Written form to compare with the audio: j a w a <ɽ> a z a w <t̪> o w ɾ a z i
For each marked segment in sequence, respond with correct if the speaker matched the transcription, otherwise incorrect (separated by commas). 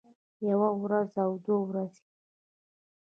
incorrect, incorrect